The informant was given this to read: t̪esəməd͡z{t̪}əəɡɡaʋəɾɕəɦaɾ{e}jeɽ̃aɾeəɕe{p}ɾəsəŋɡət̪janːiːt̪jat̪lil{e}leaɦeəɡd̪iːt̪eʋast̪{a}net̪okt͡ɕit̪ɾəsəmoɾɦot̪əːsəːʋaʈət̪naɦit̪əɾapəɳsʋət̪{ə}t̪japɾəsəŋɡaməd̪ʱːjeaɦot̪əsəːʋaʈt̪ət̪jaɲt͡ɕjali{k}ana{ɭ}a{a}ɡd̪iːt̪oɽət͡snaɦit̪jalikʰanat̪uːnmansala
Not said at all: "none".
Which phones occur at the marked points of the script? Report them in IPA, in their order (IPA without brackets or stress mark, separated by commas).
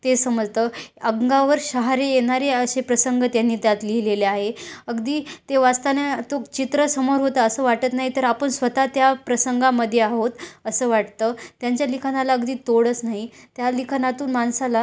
t̪, e, p, e, a, a, kʰ, l, ə